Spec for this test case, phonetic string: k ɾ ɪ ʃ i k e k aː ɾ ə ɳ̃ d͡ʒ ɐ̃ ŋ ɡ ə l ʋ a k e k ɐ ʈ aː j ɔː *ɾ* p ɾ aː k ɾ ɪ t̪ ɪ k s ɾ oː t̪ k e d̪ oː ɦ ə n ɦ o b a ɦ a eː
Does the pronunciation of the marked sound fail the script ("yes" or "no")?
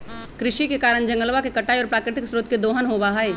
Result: no